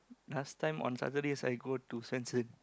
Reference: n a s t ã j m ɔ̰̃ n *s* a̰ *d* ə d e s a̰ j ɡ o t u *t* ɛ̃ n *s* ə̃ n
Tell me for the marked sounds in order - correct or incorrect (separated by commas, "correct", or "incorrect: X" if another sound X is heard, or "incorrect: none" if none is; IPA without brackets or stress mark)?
correct, incorrect: t, incorrect: s, correct